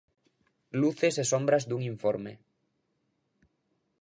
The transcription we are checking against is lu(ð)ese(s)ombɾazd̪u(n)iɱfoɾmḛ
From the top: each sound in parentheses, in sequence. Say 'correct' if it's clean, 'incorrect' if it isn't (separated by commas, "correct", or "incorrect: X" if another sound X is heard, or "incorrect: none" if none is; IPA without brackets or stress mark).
incorrect: θ, correct, incorrect: ŋ